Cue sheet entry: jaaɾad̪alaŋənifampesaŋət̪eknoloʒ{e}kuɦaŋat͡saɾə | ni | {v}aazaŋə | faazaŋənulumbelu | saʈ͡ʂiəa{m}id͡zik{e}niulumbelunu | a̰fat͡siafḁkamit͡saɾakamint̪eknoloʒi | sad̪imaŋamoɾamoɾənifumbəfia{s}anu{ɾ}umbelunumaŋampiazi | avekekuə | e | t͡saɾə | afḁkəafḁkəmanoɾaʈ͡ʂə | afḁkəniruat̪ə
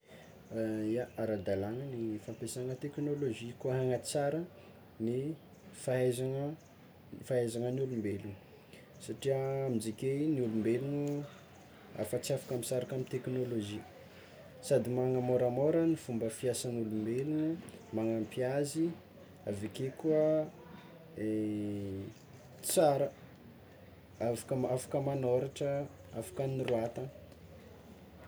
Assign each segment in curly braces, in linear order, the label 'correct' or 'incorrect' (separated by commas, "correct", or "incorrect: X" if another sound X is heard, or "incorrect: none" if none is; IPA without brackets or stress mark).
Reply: incorrect: i, incorrect: f, correct, correct, correct, incorrect: l